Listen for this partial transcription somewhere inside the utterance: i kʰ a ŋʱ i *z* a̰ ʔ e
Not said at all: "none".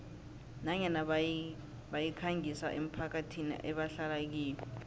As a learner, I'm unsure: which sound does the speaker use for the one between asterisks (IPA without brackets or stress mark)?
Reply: s